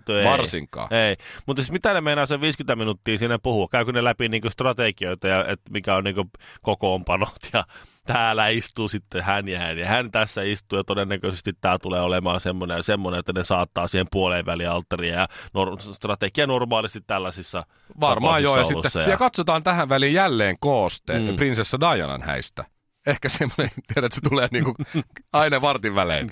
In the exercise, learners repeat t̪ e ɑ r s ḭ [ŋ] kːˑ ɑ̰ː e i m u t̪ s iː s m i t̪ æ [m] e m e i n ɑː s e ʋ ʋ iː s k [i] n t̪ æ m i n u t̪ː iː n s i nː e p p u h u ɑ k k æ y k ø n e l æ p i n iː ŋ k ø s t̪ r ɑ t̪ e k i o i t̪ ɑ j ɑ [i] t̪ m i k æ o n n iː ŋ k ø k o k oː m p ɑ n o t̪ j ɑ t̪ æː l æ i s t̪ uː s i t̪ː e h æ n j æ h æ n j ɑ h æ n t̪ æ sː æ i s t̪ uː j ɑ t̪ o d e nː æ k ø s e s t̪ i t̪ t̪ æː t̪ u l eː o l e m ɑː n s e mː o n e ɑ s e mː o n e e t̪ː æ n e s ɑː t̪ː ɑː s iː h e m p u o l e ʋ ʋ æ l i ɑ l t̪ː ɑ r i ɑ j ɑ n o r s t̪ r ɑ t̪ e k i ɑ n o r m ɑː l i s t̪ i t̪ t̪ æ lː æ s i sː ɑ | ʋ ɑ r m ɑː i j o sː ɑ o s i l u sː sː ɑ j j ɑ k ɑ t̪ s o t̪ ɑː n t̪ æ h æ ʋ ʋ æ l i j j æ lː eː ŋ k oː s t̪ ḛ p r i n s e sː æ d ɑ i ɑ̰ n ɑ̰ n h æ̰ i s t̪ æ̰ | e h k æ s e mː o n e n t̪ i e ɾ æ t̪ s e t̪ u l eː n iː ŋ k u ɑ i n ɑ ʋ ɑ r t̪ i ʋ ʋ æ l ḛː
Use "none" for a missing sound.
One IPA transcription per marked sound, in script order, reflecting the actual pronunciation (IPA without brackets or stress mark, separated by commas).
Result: ŋ, n, y, e